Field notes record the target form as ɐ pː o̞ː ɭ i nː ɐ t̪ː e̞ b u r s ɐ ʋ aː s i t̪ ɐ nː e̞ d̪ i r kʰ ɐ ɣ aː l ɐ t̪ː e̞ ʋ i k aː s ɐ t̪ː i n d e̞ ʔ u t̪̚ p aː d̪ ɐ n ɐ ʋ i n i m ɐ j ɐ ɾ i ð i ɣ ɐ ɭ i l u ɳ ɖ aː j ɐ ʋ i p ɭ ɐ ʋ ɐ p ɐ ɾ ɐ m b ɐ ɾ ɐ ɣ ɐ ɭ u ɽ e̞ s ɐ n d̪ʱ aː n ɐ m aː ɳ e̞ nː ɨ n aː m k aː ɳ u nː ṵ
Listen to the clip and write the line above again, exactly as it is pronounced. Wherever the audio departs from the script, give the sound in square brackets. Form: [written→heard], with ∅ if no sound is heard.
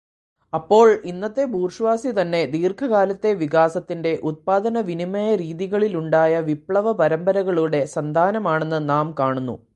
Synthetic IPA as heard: ɐ pː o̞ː ɭ i nː ɐ t̪ː e̞ b [u→uː] r [s→ʂ] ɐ ʋ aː s i t̪ ɐ nː e̞ d̪ [i→iː] r kʰ ɐ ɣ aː l ɐ t̪ː e̞ ʋ i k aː s ɐ t̪ː i n d e̞ ʔ u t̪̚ p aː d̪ ɐ n ɐ ʋ i n i m ɐ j ɐ ɾ [i→iː] ð i ɣ ɐ ɭ i l u ɳ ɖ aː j ɐ ʋ i p ɭ ɐ ʋ ɐ p ɐ ɾ ɐ m b ɐ ɾ ɐ ɣ ɐ ɭ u ɽ e̞ s ɐ n d̪ʱ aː n ɐ m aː ɳ e̞ nː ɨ n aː m k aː ɳ u nː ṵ

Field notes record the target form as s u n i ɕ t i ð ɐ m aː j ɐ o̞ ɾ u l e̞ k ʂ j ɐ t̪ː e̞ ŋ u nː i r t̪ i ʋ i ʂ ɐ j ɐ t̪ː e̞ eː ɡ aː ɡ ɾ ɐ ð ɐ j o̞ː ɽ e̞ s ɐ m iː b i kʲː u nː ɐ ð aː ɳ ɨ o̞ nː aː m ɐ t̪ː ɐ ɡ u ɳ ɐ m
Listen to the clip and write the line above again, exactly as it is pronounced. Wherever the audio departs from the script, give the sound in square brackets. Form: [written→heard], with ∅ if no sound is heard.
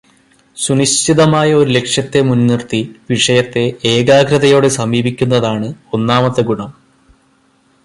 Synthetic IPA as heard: s u n i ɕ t i ð ɐ m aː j ɐ o̞ ɾ u l e̞ k ʂ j ɐ t̪ː e̞ [ŋ→m] u nː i r t̪ i ʋ i ʂ ɐ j ɐ t̪ː e̞ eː ɡ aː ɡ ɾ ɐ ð ɐ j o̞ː ɽ e̞ s ɐ m iː b i kʲː u nː ɐ ð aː ɳ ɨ o̞ nː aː m ɐ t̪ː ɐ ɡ u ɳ ɐ m

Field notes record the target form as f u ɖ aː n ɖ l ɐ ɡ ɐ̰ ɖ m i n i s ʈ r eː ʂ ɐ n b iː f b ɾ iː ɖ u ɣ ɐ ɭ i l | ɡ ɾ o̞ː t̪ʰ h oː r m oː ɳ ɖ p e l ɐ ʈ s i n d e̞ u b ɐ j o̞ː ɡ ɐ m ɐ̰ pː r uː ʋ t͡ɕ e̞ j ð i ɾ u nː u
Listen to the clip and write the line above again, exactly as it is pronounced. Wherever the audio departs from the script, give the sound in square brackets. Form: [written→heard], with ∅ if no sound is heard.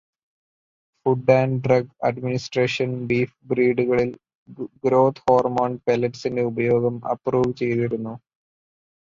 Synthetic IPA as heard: f u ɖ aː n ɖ [l→r] ɐ ɡ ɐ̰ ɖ m i n i s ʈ r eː ʂ ɐ n b iː f b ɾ iː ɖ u ɣ ɐ ɭ i l | ɡ ɾ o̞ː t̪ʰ h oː r m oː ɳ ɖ p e l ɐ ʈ s i n d e̞ u b ɐ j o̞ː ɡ ɐ m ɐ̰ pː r uː ʋ t͡ɕ e̞ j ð i ɾ u nː u

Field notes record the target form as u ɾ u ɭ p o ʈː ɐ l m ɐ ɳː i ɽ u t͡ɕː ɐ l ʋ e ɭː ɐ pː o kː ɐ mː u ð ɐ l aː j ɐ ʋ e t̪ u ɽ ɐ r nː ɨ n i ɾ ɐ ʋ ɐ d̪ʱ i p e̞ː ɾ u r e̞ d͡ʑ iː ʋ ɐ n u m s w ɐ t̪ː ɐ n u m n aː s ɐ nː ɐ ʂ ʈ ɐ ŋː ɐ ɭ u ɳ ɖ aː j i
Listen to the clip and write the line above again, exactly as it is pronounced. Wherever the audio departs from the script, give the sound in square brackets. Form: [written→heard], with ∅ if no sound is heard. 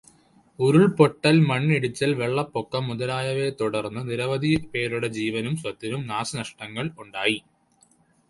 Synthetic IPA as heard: u ɾ u ɭ p o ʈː ɐ l m ɐ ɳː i ɽ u t͡ɕː ɐ l ʋ e ɭː ɐ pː o kː ɐ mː u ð ɐ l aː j ɐ ʋ e t̪ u ɽ ɐ r nː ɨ n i ɾ ɐ ʋ ɐ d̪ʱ i p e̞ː ɾ u [r→ɽ] e̞ d͡ʑ iː ʋ ɐ n u m s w ɐ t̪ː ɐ n u m n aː s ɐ [nː→n] ɐ ʂ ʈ ɐ ŋː ɐ ɭ u ɳ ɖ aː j i

